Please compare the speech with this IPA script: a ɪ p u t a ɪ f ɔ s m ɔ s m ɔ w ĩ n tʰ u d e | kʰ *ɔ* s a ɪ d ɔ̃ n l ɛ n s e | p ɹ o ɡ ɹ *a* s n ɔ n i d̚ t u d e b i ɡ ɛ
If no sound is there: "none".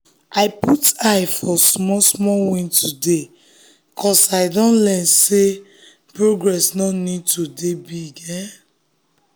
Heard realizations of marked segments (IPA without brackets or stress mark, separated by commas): ɔ, ɛ